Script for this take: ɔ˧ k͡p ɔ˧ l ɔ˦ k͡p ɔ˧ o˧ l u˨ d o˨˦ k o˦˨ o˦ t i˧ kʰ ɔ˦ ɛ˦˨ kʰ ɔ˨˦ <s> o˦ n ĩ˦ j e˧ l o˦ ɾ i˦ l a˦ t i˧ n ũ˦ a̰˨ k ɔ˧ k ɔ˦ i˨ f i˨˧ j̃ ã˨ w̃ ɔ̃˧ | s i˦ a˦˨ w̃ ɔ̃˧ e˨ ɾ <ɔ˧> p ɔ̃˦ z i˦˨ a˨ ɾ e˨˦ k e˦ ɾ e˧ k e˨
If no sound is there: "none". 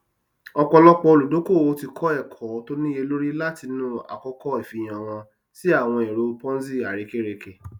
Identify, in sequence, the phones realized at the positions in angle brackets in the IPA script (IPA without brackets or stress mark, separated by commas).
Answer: t, o˧